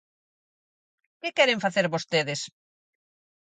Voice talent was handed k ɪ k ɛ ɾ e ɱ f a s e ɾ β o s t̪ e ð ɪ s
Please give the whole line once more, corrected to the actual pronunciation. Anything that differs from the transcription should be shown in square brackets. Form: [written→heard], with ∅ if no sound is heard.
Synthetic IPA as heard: k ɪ k ɛ ɾ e ɱ f a [s→θ] e ɾ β o s t̪ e ð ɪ s

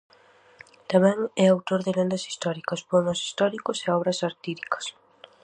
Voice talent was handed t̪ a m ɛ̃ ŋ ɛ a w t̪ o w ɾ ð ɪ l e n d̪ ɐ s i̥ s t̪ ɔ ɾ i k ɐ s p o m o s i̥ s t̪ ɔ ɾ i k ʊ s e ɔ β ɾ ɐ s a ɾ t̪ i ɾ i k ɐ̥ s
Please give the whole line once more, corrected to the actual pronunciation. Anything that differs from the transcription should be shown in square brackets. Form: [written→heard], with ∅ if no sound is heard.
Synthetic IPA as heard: t̪ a m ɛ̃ ŋ ɛ a w t̪ o [w→∅] ɾ ð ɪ l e n d̪ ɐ s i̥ s t̪ ɔ ɾ i k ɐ s p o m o s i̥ s t̪ ɔ ɾ i k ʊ s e ɔ β ɾ ɐ s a ɾ t̪ i ɾ i k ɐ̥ s

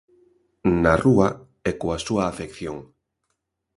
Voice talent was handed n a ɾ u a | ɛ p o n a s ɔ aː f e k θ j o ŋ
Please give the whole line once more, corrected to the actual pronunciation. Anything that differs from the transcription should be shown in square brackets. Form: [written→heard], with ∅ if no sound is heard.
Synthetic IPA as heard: n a [ɾ→r] u a | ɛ [p→k] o [n→∅] a s [ɔ→u] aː f e k θ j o ŋ

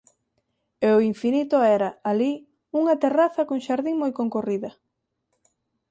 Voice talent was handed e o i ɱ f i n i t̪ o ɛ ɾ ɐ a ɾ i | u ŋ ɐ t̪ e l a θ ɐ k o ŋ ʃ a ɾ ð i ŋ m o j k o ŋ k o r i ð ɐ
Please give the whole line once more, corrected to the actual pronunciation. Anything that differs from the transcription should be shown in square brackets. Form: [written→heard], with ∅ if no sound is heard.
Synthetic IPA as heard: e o i ɱ f i n i t̪ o ɛ ɾ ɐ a [ɾ→l] i | u ŋ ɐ t̪ e [l→r] a θ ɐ k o ŋ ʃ a ɾ ð i ŋ m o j k o ŋ k o r i ð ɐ

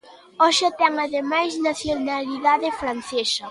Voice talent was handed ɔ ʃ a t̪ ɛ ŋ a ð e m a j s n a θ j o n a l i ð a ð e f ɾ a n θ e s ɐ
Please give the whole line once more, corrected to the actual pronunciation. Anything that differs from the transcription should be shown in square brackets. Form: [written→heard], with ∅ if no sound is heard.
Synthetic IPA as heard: ɔ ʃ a t̪ ɛ ŋ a ð e m a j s n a θ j o n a l i ð a ð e f ɾ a n θ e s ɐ

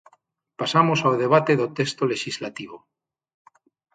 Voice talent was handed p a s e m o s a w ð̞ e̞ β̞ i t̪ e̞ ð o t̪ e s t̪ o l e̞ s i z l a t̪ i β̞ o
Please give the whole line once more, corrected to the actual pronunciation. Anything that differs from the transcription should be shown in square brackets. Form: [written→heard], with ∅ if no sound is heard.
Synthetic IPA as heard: p a s [e→a] m o s a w ð̞ e̞ β̞ [i→a] t̪ e̞ ð o t̪ e s t̪ o l e̞ [s→ʃ] i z l a t̪ i β̞ o

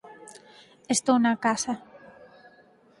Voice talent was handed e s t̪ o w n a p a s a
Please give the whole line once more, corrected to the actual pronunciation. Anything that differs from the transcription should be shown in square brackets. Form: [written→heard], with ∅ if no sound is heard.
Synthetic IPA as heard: e s t̪ o w n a [p→k] a s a

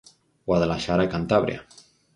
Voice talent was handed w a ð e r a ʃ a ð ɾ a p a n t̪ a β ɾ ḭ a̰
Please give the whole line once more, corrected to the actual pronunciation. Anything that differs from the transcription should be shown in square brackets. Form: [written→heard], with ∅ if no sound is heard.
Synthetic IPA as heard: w a ð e [r→l] a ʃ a [ð→∅] ɾ a [p→k] a n t̪ a β ɾ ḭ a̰

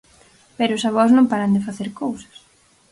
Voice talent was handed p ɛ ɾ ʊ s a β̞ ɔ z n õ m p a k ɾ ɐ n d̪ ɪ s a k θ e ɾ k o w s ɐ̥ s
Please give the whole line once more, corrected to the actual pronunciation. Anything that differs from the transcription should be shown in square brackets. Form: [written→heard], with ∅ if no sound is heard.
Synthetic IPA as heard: p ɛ ɾ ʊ s a β̞ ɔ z n õ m p a [k→∅] ɾ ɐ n d̪ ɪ [s→f] a [k→∅] θ e ɾ k o w s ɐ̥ s

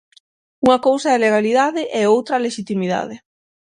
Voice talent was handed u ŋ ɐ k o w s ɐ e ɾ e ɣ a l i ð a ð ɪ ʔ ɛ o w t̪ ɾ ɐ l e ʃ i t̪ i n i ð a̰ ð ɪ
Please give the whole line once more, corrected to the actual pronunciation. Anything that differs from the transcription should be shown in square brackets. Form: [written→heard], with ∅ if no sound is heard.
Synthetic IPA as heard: u ŋ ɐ k o w s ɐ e [ɾ→l] e ɣ a l i ð a ð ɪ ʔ ɛ o w t̪ ɾ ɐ l e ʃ i t̪ i [n→m] i ð a̰ ð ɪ

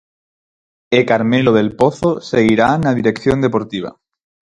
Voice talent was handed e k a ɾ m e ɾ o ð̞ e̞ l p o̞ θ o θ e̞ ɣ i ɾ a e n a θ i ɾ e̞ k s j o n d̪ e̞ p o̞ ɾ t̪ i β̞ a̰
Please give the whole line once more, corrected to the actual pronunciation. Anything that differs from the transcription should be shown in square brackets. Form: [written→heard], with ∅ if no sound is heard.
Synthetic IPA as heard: e k a ɾ m e [ɾ→l] o ð̞ e̞ l p o̞ θ o [θ→s] e̞ ɣ i ɾ a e n a [θ→ð] i ɾ e̞ k [s→θ] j o n d̪ e̞ p o̞ ɾ t̪ i β̞ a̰

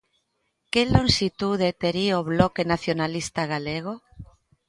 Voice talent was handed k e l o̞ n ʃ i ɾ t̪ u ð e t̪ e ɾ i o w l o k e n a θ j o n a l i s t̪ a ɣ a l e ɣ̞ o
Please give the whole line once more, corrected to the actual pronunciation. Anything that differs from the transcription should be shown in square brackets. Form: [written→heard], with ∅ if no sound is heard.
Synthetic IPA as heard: k e l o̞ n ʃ i [ɾ→∅] t̪ u ð e t̪ e ɾ i o [w→β] l o k e n a θ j o n a l i s t̪ a ɣ a l e ɣ̞ o

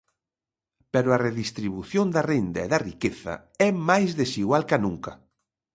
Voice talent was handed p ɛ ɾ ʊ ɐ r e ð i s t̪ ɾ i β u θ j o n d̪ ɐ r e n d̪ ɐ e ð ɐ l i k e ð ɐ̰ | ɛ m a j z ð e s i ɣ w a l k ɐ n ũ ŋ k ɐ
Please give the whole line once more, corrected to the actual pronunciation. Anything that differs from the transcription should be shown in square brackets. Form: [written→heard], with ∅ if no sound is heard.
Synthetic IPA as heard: p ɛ ɾ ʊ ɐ r e ð i s t̪ ɾ i β u θ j o n d̪ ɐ r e n d̪ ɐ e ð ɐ [l→r] i k e [ð→θ] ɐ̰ | ɛ m a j z ð e s i ɣ w a l k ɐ n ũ ŋ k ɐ

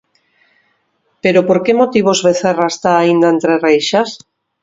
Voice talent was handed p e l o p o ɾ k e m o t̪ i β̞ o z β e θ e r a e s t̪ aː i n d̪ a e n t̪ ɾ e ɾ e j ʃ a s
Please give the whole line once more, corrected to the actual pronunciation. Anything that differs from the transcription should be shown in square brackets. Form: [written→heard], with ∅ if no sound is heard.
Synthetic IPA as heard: p e [l→ɾ] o p o ɾ k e m o t̪ i β̞ o z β e θ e r a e s t̪ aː i n d̪ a e n t̪ ɾ e [ɾ→r] e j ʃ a s

